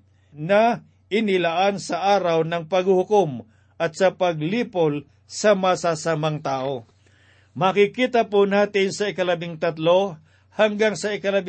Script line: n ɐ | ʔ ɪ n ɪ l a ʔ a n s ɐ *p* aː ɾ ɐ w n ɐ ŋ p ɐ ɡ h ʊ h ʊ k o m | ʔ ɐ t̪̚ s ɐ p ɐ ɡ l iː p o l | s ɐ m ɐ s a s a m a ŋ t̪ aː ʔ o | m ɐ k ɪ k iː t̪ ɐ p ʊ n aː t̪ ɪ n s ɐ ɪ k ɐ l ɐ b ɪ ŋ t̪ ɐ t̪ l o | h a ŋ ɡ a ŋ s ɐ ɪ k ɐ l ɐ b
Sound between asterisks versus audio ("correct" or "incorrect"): incorrect